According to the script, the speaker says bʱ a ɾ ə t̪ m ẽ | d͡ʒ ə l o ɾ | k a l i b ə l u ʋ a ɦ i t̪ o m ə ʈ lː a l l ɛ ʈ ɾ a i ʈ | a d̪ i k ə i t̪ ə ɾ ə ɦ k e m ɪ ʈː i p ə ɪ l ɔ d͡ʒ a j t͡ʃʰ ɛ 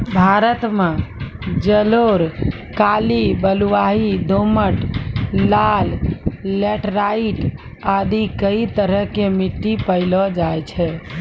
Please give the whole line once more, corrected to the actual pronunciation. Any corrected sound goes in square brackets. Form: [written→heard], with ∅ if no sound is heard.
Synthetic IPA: bʱ a ɾ ə t̪ m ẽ | d͡ʒ ə l o ɾ | k a l i b ə l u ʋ a ɦ i [t̪→d̪] o m ə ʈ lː a l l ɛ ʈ ɾ a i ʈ | a d̪ i k ə i t̪ ə ɾ ə ɦ k e m [ɪ→i] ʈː i p ə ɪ l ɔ d͡ʒ a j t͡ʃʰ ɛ